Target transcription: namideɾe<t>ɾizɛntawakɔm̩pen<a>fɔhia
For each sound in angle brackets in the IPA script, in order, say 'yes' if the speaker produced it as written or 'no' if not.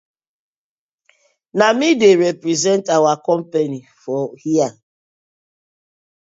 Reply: no, no

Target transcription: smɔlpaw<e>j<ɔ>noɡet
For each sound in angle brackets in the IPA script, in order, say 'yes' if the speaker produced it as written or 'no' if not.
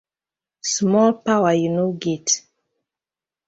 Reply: no, no

